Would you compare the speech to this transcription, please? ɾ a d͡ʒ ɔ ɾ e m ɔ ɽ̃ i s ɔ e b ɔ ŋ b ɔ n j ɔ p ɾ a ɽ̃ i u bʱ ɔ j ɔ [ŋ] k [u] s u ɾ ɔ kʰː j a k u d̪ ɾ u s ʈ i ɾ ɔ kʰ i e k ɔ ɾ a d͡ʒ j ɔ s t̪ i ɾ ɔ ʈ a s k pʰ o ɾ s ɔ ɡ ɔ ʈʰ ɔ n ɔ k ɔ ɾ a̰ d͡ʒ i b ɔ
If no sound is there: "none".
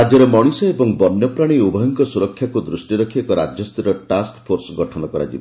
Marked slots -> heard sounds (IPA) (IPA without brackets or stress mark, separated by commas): ŋ, ɔ